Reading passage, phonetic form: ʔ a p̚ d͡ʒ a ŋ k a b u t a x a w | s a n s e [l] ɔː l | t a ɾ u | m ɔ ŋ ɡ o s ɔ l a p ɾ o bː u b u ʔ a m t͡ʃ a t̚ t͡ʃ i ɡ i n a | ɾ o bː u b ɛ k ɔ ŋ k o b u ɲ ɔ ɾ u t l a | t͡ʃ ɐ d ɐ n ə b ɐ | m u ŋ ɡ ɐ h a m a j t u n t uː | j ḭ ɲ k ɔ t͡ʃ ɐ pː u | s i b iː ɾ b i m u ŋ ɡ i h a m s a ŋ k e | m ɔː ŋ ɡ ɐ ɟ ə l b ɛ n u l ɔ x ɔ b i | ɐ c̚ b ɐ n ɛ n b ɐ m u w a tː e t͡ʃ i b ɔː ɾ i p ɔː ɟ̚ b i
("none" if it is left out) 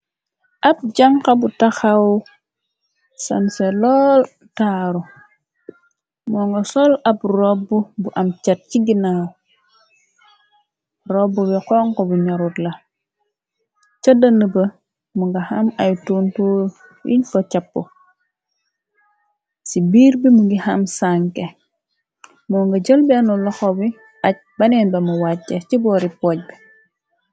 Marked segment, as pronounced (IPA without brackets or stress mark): l